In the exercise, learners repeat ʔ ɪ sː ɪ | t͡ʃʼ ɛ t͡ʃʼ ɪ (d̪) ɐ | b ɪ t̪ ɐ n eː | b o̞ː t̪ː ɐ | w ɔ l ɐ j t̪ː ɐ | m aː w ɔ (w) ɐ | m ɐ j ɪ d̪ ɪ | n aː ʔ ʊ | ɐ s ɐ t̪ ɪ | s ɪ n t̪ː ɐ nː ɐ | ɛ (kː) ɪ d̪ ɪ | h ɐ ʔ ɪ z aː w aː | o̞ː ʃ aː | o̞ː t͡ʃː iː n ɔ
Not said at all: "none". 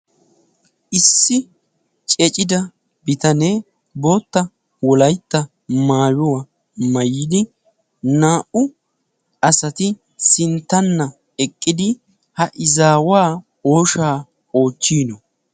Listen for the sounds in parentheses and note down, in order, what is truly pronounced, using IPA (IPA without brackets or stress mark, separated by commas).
d̪, w, kʼː